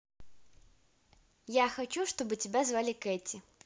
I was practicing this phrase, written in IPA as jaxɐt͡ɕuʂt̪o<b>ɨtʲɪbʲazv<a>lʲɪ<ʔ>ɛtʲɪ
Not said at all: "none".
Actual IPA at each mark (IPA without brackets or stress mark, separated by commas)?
b, a, k